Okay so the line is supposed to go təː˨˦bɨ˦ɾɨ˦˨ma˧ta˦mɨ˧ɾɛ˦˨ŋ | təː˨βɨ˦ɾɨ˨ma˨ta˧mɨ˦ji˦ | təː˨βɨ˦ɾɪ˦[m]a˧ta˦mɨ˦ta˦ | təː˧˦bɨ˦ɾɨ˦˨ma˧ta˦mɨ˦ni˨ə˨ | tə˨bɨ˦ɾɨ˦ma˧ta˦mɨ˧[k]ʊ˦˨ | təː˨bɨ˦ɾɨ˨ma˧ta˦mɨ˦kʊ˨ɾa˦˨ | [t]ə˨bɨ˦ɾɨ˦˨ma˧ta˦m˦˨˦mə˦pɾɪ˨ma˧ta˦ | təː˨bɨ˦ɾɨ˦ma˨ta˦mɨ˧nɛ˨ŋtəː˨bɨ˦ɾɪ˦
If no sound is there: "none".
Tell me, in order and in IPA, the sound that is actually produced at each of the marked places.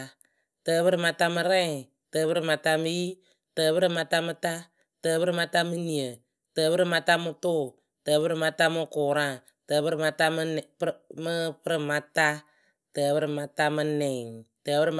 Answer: m, t, t

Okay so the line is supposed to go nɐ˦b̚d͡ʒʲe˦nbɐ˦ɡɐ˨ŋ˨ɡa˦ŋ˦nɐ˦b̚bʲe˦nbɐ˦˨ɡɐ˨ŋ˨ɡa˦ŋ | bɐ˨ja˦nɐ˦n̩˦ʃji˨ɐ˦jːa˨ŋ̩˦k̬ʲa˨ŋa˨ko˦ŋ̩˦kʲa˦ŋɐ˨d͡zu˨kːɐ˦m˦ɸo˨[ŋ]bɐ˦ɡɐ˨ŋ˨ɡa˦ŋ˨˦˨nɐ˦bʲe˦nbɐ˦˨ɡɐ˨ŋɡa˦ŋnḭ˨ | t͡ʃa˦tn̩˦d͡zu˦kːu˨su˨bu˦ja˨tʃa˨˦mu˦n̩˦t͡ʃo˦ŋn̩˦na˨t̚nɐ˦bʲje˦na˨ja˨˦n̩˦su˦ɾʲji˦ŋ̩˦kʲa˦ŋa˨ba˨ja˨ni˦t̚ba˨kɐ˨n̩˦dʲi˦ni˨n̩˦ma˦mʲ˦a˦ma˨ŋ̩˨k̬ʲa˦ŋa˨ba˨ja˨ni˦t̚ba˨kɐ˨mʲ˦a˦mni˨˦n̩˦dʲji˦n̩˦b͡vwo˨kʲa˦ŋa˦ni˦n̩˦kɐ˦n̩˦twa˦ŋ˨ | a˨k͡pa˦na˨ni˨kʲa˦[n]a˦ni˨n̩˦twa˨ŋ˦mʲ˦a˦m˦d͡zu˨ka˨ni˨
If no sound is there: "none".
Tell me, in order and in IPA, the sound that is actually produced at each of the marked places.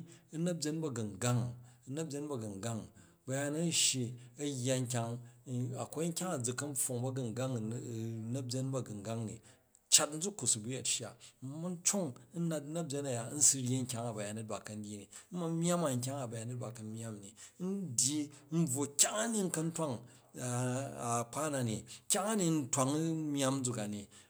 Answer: ŋ, ŋ

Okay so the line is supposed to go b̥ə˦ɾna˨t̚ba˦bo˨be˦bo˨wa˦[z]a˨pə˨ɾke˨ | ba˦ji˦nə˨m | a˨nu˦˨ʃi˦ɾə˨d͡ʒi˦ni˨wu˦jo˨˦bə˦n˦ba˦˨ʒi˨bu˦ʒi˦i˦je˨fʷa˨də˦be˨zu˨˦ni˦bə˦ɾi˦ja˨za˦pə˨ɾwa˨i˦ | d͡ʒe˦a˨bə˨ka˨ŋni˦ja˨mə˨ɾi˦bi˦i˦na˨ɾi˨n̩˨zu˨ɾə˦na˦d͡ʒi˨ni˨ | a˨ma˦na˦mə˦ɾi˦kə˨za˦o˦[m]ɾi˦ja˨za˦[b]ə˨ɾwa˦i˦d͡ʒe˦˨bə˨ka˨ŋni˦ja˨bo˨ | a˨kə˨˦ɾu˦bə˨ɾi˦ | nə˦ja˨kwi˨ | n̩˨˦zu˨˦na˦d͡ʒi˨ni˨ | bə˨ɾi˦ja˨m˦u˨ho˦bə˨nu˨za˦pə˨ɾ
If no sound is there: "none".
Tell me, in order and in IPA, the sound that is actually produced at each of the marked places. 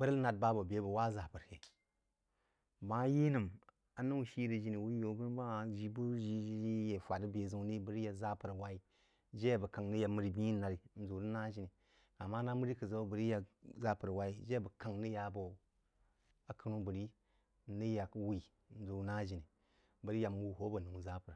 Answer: z, b, p

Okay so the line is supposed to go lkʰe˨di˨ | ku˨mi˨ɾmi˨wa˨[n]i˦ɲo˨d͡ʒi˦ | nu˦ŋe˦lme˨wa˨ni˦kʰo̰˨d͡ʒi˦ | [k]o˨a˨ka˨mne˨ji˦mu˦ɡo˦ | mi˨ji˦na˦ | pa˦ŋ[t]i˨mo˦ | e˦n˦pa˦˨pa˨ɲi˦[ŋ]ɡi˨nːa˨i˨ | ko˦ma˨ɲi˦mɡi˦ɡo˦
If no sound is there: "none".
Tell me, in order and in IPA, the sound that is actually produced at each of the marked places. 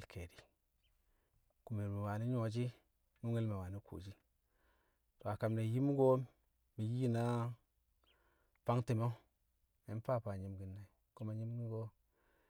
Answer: n, t, t, m

